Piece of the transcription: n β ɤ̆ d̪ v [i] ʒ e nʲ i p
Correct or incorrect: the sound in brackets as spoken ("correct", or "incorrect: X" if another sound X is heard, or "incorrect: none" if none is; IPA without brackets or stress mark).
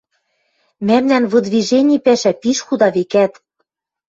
correct